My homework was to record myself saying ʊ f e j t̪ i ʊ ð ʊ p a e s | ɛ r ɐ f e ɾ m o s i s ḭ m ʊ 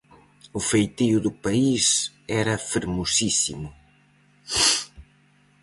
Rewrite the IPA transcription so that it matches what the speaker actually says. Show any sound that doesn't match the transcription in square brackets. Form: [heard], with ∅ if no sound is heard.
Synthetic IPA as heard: ʊ f e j t̪ i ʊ ð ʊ p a [i] s | ɛ [ɾ] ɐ f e ɾ m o s i s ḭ m ʊ